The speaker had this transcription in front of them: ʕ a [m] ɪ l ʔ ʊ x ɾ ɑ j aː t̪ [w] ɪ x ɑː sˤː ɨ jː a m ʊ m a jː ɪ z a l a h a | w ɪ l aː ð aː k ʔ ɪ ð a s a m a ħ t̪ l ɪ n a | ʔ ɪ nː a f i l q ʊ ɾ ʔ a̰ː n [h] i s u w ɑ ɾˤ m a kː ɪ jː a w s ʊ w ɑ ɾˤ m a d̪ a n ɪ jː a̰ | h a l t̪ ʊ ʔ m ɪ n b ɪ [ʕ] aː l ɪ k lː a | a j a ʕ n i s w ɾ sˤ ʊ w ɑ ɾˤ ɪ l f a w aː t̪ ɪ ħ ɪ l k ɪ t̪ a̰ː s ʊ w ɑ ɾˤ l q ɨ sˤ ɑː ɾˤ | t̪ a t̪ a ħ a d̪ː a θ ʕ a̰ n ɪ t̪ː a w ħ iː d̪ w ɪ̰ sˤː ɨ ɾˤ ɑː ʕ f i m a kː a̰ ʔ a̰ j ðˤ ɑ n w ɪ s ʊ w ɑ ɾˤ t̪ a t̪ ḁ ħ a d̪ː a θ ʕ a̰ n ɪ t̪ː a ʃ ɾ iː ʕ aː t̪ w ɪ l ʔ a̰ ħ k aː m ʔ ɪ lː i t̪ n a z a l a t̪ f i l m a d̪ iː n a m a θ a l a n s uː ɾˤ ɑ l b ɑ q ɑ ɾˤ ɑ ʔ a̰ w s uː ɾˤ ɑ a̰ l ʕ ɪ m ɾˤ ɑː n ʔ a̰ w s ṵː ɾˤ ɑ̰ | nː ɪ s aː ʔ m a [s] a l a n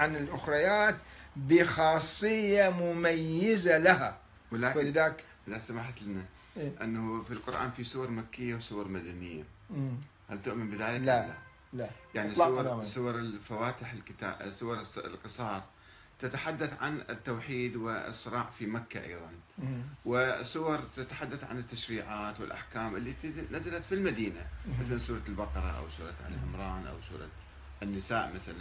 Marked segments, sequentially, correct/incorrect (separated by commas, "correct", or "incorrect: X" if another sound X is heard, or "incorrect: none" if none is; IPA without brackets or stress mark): incorrect: n, incorrect: b, incorrect: f, incorrect: ð, incorrect: θ